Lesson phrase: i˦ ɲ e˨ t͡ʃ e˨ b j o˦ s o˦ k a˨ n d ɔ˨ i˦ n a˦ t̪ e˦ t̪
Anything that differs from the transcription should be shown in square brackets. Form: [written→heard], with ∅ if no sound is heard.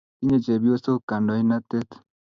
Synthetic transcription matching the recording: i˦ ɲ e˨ t͡ʃ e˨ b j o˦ s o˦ k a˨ n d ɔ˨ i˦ n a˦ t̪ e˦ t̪